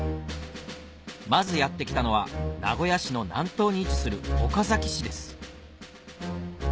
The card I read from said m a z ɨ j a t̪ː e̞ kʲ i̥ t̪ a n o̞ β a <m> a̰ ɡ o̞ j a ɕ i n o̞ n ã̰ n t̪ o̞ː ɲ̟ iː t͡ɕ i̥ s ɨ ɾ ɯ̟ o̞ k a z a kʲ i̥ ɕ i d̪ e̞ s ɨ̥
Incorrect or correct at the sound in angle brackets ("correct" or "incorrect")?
incorrect